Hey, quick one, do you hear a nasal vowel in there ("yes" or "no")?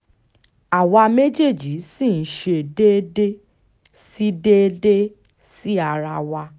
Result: no